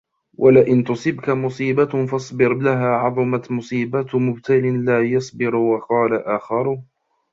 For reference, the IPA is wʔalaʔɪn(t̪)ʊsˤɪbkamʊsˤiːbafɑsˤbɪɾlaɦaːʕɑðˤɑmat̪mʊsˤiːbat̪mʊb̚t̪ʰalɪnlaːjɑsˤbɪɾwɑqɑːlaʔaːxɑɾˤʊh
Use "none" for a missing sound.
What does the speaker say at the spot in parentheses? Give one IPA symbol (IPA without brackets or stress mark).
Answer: t̪